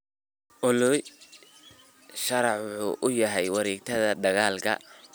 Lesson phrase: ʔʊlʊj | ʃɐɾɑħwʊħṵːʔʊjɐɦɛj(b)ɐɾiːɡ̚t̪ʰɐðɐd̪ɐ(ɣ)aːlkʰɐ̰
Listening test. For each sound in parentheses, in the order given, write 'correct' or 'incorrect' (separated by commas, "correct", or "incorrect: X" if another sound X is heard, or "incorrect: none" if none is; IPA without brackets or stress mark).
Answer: incorrect: w, correct